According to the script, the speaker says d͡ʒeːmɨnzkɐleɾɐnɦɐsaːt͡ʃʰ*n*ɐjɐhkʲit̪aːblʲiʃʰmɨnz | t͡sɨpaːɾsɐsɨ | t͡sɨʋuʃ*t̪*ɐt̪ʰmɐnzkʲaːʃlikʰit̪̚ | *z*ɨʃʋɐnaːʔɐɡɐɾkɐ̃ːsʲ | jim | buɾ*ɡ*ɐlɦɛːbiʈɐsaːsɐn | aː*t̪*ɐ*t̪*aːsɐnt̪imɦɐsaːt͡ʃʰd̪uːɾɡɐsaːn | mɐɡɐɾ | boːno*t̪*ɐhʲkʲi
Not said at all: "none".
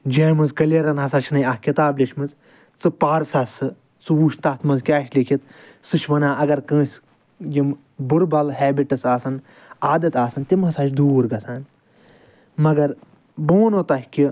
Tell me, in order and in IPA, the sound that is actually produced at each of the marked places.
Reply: n, t̪, s, b, d̪, t̪, t̪

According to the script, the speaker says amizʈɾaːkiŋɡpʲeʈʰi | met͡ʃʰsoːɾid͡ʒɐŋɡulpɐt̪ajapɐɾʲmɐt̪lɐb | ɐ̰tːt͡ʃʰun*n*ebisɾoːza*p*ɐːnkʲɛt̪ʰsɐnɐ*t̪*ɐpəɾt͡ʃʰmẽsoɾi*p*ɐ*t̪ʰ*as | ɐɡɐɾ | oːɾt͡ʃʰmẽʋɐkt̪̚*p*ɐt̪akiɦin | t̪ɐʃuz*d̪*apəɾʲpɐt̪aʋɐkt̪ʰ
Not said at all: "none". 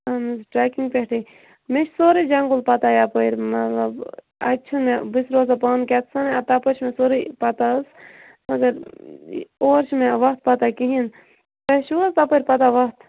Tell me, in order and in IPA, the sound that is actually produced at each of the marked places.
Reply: m, p, t̪, p, t̪, p, t̪

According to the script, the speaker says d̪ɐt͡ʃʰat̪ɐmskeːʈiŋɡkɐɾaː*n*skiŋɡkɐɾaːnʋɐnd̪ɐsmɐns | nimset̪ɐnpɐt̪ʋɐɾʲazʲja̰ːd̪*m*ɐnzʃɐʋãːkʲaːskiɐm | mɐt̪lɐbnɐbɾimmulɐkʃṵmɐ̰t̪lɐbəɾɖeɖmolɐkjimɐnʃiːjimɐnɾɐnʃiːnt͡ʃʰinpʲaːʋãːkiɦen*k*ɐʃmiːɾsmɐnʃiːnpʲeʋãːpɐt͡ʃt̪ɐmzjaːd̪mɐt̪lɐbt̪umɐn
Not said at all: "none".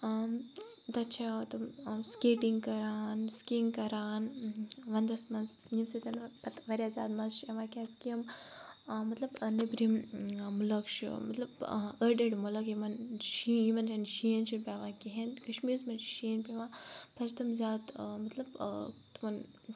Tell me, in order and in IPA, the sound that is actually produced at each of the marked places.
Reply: n, m, k

